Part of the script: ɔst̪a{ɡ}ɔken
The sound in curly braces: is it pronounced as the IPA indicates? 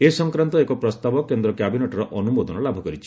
no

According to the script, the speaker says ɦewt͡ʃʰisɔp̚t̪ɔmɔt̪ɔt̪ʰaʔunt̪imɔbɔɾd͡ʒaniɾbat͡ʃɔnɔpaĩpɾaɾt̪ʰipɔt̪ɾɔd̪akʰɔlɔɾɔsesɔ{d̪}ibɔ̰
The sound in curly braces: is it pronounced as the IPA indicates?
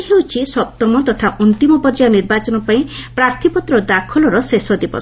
yes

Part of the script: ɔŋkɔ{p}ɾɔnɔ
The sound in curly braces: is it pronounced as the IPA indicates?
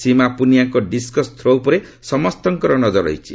no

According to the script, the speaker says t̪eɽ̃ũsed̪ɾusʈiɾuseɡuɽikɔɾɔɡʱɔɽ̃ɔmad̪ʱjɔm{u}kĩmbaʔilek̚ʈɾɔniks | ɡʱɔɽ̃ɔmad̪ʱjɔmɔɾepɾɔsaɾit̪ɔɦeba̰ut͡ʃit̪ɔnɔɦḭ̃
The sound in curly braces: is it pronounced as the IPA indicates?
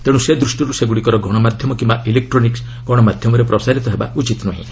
no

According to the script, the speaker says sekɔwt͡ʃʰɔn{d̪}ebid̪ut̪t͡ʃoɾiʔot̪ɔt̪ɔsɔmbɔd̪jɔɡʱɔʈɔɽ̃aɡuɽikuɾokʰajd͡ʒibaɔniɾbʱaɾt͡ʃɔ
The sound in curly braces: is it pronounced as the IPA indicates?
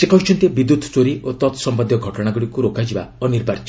no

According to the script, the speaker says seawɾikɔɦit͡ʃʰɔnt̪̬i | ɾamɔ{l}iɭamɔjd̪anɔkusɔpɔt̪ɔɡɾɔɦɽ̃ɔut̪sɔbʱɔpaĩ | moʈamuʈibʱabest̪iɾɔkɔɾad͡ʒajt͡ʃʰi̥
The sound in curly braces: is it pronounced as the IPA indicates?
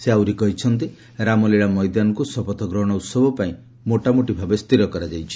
yes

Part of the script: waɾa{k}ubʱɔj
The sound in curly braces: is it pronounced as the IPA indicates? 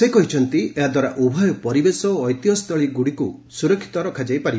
no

